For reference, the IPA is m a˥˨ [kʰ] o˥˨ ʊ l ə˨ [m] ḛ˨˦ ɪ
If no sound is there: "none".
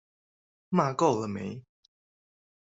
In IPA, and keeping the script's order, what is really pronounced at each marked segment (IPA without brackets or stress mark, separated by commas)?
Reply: k, m